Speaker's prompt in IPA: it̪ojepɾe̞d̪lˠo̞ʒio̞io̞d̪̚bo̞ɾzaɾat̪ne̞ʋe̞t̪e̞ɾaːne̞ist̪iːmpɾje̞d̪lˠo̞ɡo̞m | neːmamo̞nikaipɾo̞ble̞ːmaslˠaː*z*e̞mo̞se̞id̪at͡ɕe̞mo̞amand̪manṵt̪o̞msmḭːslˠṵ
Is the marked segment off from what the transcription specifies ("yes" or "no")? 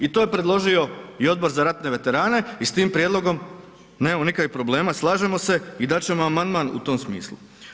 yes